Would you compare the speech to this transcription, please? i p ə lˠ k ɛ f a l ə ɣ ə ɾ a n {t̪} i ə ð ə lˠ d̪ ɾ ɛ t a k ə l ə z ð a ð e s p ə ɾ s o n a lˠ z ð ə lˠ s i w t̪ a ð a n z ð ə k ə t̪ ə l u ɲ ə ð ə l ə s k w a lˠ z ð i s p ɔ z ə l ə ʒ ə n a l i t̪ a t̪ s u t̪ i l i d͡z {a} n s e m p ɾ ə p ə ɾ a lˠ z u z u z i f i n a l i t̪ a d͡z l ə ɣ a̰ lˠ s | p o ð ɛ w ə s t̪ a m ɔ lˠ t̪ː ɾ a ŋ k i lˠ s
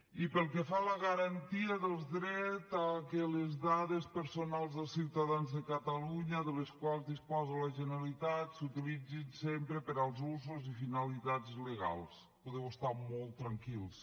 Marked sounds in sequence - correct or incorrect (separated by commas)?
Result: correct, incorrect